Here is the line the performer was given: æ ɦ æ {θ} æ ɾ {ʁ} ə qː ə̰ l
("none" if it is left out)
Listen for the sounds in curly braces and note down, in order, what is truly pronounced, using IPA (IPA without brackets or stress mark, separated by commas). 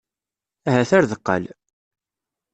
θ, ð